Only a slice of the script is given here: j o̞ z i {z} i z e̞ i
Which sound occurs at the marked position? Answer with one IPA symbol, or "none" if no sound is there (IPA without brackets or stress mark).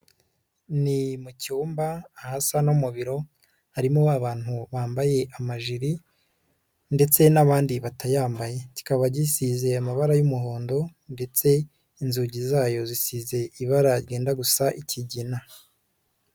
s